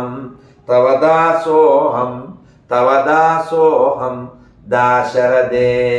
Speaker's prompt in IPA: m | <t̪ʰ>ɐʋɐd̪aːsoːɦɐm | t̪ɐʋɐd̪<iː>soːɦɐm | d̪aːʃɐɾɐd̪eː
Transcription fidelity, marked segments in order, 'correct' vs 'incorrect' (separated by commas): incorrect, incorrect